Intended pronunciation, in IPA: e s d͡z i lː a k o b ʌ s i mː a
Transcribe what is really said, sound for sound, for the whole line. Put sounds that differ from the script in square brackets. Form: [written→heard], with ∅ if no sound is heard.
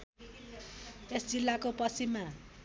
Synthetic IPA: e s d͡z i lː a k o [b→p] ʌ s i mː a